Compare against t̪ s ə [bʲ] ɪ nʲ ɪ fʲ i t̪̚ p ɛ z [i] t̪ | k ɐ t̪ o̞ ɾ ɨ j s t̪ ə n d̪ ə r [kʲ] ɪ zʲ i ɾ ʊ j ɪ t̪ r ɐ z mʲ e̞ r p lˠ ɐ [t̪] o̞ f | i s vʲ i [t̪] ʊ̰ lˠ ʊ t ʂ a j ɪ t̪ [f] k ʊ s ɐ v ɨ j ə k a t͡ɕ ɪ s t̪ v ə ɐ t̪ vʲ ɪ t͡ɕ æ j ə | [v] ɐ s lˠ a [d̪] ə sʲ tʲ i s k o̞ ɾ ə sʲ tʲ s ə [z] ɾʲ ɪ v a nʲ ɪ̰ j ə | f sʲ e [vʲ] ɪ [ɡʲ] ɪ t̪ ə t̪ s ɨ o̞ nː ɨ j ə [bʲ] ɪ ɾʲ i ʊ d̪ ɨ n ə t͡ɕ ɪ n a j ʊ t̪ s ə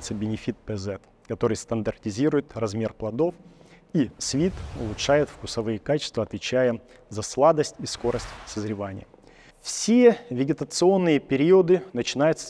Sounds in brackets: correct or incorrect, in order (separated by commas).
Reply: correct, incorrect, incorrect, incorrect, correct, correct, incorrect, correct, correct, correct, correct, incorrect